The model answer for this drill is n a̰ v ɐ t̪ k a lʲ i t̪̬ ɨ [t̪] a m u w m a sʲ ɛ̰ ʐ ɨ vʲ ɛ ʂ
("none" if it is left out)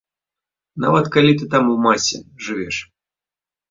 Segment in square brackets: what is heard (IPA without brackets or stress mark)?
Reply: t̪